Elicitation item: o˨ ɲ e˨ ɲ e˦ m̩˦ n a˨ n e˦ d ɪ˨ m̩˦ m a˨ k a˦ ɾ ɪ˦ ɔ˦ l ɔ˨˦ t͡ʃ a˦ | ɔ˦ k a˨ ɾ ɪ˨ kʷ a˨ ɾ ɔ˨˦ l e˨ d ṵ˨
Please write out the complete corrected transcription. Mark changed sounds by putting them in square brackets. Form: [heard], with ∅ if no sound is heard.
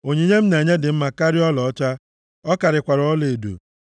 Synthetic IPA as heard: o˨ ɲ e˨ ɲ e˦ m̩˦ n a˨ [ɲ] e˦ d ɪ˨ m̩˦ m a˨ k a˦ ɾ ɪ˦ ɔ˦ l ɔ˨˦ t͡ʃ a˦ | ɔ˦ k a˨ ɾ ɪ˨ kʷ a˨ ɾ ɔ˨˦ l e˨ d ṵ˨

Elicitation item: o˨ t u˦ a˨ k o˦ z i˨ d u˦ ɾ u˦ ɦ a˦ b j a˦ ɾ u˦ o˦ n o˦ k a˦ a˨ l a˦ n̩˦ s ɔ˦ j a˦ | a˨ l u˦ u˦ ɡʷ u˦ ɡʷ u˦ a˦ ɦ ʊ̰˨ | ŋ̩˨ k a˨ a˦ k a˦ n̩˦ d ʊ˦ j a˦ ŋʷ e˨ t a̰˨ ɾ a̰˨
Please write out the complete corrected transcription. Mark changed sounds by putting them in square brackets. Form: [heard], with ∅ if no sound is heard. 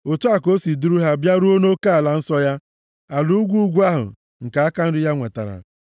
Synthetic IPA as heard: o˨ t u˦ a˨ k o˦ [s] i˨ d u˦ ɾ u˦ ɦ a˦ b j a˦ ɾ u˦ o˦ n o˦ k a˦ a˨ l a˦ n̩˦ s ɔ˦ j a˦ | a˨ l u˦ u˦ ɡʷ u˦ ɡʷ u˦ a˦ ɦ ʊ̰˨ | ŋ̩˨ k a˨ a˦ k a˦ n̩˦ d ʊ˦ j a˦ ŋʷ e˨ t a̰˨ ɾ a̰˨

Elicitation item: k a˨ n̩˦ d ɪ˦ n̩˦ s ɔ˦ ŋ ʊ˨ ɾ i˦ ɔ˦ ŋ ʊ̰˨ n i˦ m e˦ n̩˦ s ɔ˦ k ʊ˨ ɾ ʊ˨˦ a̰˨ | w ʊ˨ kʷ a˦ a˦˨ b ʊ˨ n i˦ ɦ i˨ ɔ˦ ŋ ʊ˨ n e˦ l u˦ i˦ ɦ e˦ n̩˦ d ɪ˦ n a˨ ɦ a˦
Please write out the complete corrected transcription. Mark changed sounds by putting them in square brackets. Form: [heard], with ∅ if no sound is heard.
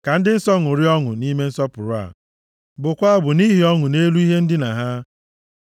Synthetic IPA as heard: k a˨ n̩˦ d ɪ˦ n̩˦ s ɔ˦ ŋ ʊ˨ ɾ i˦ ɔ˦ ŋ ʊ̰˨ n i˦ m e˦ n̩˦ s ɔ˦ [p] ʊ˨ ɾ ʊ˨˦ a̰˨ | [b] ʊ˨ kʷ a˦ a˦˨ b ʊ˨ n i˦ ɦ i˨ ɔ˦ ŋ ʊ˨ n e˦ l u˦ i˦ ɦ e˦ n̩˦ d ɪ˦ n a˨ ɦ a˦

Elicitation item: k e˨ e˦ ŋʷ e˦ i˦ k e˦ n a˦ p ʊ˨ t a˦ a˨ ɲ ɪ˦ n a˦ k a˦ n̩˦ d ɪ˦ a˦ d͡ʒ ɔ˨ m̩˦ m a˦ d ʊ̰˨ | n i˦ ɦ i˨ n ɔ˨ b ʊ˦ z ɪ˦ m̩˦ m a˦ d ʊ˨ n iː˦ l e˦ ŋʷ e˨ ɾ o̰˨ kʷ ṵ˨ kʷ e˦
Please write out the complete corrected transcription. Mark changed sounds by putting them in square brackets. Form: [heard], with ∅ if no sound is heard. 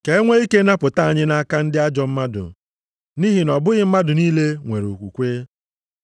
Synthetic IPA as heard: k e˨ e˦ ŋʷ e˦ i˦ k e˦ n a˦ p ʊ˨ t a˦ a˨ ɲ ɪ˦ n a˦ k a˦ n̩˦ d ɪ˦ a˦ d͡ʒ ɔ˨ m̩˦ m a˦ d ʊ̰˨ | n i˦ ɦ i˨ n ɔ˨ b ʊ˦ [ɣ] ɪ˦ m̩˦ m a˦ d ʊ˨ n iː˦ l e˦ ŋʷ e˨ ɾ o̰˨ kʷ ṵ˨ kʷ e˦

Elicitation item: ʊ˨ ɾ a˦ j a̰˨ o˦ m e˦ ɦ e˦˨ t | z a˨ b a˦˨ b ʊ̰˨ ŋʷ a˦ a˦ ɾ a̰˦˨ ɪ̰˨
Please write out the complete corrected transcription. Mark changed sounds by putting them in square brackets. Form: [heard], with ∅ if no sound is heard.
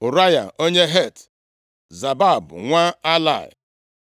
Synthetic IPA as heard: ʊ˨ ɾ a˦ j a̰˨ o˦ [ɲ] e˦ ɦ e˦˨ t | z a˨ b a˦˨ b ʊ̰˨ ŋʷ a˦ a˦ [l] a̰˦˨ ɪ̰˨

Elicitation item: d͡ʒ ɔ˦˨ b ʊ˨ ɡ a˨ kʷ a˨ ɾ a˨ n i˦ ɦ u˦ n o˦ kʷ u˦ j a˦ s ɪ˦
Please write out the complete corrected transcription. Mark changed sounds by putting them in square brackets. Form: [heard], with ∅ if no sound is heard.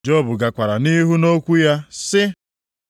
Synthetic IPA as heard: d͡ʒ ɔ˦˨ b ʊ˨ ɡ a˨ kʷ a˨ ɾ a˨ n i˦ ɦ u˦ n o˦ kʷ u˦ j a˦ s ɪ˦

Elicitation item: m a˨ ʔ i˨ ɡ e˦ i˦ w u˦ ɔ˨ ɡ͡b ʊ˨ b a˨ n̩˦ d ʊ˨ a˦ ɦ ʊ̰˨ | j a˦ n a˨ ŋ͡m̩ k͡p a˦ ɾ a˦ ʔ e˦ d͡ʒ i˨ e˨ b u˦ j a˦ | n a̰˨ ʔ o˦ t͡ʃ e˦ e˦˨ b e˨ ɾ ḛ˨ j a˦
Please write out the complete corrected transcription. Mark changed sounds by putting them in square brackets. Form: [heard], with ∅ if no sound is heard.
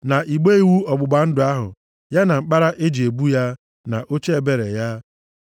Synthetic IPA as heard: [n] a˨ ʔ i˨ [ɡ͡b] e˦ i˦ w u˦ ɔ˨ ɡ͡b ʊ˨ [ɡ͡b] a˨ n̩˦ d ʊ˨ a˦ ɦ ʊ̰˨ | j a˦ n a˨ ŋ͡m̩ k͡p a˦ ɾ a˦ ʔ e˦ d͡ʒ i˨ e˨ b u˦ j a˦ | n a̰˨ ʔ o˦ t͡ʃ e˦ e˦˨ b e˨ ɾ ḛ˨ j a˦

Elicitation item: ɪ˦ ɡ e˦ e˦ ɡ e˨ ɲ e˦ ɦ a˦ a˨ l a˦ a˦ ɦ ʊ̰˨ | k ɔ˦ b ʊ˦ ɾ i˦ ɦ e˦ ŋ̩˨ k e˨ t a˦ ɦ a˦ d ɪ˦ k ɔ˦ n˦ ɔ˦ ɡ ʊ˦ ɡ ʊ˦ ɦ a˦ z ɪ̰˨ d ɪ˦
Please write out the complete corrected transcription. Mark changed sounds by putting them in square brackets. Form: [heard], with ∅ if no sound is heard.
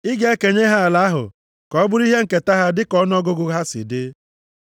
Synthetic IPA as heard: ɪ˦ ɡ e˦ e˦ [k] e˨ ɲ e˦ ɦ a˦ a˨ l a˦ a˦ ɦ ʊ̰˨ | k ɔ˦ b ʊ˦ ɾ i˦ ɦ e˦ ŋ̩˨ k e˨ t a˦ ɦ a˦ d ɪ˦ k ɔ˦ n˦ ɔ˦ ɡ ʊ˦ ɡ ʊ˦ ɦ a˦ [s] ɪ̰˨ d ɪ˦

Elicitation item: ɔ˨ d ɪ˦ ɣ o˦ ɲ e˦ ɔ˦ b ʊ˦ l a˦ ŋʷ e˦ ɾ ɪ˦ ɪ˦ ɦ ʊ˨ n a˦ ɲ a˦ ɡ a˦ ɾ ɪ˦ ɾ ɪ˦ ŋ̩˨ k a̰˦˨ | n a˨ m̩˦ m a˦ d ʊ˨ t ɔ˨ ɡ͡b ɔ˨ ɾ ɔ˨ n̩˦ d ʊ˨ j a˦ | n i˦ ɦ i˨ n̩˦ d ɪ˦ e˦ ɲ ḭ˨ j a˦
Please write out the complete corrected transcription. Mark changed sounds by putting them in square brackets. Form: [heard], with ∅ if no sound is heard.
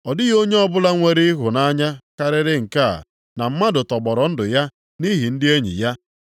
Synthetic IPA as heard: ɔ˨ d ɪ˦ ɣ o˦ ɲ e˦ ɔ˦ b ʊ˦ l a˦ ŋʷ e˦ ɾ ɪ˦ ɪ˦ ɦ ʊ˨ n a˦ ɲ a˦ [k] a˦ ɾ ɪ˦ ɾ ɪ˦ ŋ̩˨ k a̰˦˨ | n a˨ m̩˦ m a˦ d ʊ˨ t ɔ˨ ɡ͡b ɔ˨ ɾ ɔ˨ n̩˦ d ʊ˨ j a˦ | n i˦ ɦ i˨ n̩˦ d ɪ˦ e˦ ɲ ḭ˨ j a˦

